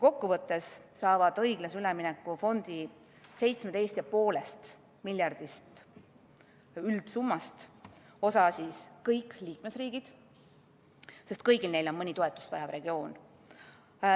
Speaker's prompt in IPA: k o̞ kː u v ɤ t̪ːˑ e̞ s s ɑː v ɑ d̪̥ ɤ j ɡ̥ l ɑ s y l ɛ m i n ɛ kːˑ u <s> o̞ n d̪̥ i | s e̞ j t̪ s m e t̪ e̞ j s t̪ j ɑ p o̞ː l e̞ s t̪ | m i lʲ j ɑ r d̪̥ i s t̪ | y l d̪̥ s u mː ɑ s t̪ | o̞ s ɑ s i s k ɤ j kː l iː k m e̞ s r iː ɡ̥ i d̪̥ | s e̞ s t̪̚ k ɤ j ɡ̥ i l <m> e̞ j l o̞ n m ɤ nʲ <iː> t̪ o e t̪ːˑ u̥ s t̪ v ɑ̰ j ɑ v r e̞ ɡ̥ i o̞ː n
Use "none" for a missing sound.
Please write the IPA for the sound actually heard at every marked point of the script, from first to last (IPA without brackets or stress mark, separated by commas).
f, n, i